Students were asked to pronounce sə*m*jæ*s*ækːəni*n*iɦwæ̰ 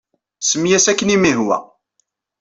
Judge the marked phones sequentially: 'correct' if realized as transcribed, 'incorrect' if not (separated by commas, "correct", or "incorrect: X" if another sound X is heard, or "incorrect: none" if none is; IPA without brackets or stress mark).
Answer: correct, correct, incorrect: m